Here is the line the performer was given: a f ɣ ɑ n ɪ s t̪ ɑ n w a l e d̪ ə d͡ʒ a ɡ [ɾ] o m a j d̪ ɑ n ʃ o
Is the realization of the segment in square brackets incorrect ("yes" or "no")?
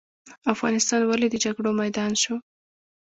yes